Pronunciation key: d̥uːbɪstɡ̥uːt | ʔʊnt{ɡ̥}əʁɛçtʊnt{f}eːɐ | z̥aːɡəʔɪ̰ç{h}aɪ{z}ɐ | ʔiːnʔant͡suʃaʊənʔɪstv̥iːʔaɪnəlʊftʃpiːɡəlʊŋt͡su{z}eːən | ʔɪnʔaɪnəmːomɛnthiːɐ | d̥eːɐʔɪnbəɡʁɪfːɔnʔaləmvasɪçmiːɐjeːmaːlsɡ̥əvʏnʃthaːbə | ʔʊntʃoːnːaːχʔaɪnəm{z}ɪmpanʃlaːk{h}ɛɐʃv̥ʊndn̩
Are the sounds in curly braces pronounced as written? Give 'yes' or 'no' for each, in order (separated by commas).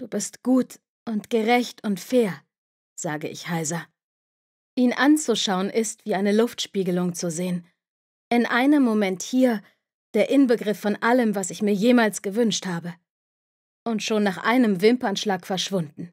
yes, yes, yes, yes, yes, no, no